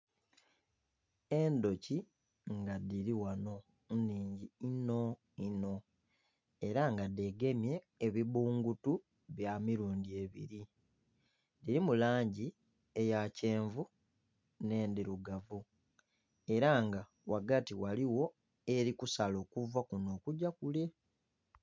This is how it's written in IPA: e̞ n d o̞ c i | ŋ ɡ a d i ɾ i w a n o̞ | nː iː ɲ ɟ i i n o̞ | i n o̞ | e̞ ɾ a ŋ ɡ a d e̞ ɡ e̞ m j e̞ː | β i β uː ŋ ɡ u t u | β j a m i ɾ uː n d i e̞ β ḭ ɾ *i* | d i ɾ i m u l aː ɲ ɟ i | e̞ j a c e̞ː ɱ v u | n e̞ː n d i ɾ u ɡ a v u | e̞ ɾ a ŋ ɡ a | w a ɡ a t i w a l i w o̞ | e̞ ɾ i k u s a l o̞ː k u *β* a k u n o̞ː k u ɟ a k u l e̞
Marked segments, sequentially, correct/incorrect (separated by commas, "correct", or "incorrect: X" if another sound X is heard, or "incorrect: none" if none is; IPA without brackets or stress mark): correct, incorrect: v